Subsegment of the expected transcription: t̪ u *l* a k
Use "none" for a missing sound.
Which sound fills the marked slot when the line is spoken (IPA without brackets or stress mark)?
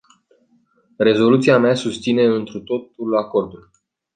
l